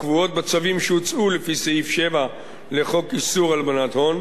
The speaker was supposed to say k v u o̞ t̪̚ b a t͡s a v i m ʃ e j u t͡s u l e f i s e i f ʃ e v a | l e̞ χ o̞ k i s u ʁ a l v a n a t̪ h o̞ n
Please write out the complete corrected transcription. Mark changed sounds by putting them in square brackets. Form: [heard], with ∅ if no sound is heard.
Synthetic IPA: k v u o̞ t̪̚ b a t͡s a v i m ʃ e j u t͡s u l e f i s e i f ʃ e v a | l e̞ χ o̞ k i s u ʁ a l [b] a n a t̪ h o̞ n